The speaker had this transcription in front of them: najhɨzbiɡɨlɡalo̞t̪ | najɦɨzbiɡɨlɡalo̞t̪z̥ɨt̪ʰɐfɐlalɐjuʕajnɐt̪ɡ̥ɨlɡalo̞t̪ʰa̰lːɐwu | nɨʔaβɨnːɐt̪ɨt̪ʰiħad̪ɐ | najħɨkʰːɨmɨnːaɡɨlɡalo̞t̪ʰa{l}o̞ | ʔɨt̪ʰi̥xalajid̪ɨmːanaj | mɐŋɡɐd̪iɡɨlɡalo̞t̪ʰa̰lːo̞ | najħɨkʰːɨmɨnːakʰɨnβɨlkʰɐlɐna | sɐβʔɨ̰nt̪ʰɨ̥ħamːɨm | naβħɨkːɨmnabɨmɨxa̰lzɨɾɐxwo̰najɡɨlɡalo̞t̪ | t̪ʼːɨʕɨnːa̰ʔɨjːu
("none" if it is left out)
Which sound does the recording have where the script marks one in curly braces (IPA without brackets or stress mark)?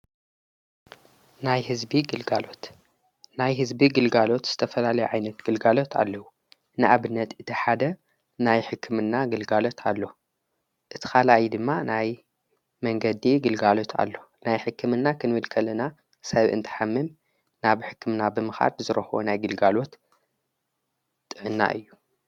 lː